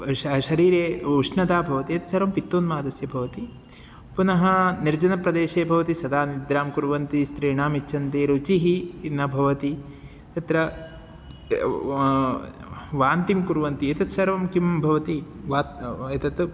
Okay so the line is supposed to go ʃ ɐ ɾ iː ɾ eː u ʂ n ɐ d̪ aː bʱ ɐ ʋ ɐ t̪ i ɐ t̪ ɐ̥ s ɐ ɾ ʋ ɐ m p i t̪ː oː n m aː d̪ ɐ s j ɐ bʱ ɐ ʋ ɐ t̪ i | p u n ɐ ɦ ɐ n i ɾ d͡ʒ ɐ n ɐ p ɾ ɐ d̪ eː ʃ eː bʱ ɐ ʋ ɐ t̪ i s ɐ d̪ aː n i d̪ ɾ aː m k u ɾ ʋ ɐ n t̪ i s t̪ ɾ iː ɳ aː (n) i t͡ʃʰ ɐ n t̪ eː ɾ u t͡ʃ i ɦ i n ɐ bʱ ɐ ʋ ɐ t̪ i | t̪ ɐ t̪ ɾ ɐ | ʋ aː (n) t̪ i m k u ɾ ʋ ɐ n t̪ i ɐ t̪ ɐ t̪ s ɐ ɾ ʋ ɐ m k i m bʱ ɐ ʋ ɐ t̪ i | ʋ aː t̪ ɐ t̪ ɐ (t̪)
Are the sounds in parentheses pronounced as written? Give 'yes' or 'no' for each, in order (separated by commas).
no, yes, yes